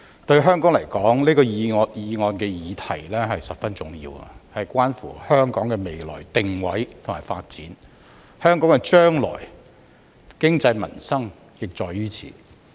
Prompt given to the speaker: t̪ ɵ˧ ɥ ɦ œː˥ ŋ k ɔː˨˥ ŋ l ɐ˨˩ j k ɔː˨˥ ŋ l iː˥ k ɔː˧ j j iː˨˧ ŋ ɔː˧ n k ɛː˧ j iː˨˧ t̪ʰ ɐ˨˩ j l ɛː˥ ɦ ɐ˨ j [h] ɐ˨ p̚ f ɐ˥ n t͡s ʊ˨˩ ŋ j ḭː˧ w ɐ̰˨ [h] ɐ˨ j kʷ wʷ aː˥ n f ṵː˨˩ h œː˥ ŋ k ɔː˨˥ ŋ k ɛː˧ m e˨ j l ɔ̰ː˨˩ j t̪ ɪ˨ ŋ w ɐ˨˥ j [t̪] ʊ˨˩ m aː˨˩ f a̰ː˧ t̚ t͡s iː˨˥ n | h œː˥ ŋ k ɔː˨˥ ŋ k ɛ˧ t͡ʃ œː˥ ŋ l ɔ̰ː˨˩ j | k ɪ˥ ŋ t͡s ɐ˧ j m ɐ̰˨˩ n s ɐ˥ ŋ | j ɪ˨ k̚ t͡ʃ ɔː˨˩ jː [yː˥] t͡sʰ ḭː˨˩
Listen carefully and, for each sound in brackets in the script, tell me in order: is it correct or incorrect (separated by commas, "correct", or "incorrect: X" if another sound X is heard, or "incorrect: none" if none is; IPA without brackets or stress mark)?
incorrect: s, correct, incorrect: t̪ʰ, correct